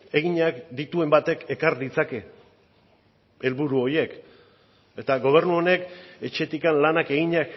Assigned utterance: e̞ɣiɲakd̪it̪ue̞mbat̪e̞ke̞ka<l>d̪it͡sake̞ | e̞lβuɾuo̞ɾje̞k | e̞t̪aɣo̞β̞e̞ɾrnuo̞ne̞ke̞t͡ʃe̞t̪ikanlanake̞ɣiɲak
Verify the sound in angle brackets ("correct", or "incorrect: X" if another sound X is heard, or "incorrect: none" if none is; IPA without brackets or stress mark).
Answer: incorrect: ɾ